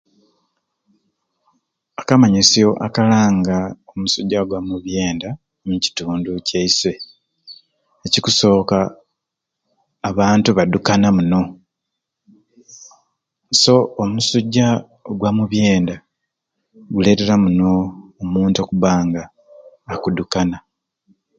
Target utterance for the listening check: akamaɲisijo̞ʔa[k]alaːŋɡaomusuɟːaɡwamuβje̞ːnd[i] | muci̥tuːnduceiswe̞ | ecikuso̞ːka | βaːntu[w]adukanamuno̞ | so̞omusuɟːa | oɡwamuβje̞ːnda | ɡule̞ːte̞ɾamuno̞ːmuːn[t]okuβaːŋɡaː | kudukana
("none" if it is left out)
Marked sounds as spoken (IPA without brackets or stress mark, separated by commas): k, a, β, t